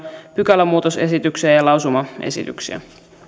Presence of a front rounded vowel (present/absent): present